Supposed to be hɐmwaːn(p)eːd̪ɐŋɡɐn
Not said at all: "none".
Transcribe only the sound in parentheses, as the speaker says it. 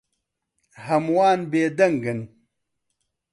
b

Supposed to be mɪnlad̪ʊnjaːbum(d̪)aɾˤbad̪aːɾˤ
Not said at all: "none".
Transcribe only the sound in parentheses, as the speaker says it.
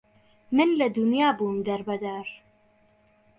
d̪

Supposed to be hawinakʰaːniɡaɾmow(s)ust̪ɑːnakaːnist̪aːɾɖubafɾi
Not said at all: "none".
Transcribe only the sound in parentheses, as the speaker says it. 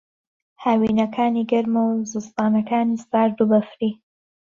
z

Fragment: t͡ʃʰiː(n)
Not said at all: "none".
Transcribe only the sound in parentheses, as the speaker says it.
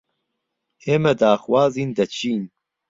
n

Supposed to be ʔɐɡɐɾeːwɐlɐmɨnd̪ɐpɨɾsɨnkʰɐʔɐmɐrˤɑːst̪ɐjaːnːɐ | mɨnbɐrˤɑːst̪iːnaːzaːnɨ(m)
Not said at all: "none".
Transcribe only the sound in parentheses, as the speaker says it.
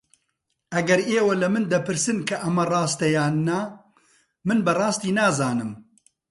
m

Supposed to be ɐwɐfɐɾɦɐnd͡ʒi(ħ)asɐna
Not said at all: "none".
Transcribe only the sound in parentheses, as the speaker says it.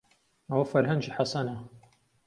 ħ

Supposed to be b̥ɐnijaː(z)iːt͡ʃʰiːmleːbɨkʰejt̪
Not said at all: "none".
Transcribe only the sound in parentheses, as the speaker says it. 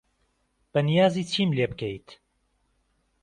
z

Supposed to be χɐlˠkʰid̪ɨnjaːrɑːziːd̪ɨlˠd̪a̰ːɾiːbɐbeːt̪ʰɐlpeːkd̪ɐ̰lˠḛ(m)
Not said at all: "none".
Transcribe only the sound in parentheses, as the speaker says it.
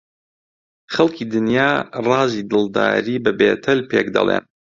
n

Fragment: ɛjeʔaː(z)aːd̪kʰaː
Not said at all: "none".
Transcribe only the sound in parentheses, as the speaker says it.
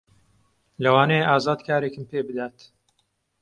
z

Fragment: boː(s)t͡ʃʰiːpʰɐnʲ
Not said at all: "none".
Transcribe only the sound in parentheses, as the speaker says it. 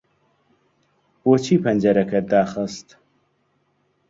none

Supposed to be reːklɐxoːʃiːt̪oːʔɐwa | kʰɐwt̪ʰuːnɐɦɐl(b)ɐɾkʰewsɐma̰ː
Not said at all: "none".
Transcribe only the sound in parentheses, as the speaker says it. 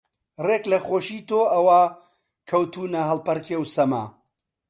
p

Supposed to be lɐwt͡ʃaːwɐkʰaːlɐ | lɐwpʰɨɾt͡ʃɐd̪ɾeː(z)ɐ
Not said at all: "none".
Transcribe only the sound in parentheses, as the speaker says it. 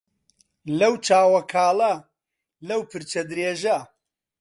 ʒ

